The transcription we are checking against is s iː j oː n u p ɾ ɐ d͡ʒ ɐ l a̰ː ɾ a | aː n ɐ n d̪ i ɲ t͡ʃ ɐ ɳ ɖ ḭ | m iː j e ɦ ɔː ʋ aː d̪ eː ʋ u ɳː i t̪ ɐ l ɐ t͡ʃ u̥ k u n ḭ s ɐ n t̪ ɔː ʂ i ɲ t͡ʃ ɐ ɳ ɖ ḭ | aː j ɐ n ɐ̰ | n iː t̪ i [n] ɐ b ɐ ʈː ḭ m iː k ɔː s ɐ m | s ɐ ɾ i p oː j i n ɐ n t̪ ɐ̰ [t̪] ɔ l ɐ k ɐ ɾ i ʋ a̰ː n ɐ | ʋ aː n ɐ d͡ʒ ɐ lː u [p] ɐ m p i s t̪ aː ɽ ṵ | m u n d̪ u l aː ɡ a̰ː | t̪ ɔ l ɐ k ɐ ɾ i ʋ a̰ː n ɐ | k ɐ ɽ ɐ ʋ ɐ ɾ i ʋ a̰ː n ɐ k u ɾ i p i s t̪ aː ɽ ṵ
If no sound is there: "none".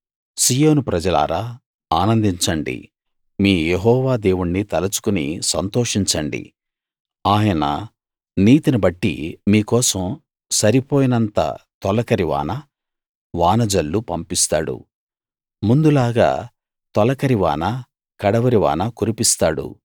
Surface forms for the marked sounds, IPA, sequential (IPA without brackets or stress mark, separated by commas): n, t̪, p